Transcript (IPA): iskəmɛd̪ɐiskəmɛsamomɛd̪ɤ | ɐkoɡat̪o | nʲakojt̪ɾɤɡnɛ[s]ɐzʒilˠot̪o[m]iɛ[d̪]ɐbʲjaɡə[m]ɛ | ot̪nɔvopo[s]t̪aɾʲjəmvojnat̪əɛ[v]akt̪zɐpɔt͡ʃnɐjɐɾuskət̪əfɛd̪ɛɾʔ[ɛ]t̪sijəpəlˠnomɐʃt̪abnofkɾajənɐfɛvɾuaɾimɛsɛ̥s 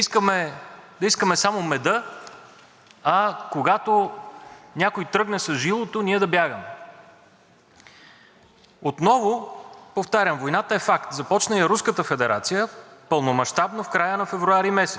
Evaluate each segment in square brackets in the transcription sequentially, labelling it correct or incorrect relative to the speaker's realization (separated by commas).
correct, incorrect, correct, correct, incorrect, incorrect, incorrect